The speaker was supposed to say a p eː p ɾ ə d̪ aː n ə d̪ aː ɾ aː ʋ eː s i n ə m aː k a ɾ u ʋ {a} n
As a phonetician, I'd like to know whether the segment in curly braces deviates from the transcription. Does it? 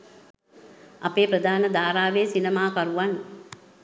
no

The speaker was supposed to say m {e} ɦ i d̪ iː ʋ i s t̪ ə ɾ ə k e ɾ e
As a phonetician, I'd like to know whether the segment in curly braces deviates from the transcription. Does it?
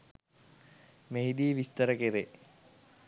no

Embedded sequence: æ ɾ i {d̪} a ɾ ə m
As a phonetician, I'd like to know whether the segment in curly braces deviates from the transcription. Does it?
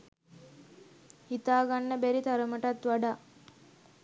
yes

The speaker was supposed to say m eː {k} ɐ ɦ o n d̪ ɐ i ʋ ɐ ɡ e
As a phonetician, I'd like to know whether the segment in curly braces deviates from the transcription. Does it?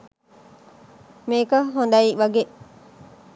no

